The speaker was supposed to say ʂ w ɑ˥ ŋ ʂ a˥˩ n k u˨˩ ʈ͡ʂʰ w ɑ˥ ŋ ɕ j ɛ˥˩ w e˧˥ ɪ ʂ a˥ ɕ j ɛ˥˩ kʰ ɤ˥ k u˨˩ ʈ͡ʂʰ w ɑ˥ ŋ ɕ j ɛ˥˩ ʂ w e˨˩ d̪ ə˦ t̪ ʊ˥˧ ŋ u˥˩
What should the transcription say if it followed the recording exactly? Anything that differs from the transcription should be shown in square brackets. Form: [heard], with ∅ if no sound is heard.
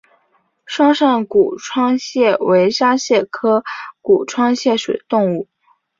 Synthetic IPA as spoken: ʂ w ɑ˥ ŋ ʂ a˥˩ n k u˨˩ ʈ͡ʂʰ w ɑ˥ ŋ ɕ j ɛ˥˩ w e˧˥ ɪ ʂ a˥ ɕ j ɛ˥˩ kʰ ɤ˥ k u˨˩ ʈ͡ʂʰ w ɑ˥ ŋ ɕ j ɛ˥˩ ʂ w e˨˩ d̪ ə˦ t̪ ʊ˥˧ ŋ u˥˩